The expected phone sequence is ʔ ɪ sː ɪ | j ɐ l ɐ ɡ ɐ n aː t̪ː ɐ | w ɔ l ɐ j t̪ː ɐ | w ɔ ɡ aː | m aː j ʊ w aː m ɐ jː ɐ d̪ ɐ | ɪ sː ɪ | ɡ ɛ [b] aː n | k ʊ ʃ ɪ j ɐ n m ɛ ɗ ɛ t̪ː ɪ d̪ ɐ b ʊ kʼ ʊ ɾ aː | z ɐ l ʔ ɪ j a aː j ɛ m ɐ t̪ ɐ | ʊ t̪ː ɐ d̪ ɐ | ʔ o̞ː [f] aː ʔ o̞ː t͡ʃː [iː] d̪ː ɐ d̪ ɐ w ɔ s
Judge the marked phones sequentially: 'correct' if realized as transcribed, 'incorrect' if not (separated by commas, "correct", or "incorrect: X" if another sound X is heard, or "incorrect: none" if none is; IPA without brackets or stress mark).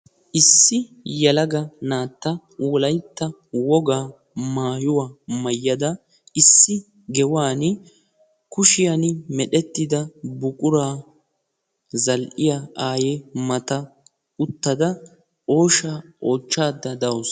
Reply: incorrect: w, incorrect: ʃ, incorrect: aː